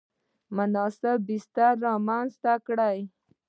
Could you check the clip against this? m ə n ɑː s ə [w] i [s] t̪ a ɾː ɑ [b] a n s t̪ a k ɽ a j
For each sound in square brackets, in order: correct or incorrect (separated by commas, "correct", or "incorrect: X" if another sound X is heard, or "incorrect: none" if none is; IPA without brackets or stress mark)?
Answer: incorrect: b, correct, incorrect: m